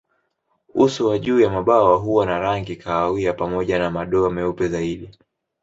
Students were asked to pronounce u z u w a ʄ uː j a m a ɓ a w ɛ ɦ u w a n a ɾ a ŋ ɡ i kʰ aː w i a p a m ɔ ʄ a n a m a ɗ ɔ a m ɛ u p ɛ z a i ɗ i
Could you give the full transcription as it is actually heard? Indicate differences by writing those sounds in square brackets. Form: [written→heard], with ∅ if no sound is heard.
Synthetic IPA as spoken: u [z→s] u w a ʄ uː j a m a ɓ a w [ɛ→a] ɦ u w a n a ɾ a ŋ ɡ i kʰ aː w i a p a m ɔ ʄ a n a m a ɗ ɔ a m ɛ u p ɛ z a i ɗ i